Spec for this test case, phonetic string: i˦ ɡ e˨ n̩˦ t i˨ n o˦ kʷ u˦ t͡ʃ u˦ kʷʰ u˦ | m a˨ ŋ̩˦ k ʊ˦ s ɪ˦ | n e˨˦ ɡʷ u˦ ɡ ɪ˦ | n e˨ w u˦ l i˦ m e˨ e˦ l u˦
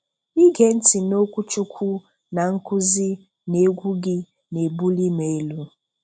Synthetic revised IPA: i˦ ɡ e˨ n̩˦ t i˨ n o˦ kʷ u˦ t͡ʃ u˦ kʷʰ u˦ | n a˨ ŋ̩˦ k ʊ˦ z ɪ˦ | n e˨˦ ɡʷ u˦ ɡ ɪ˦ | n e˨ b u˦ l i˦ m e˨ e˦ l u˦